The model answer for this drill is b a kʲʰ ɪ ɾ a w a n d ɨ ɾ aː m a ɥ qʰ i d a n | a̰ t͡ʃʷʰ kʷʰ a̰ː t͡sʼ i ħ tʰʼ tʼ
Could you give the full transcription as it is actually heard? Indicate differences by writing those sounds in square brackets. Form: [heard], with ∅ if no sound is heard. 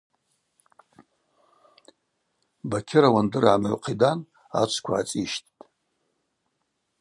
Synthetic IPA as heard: b a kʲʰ ɪ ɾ a w a n d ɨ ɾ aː m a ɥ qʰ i d a n | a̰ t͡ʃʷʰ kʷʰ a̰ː t͡sʼ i [ʃ] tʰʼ tʼ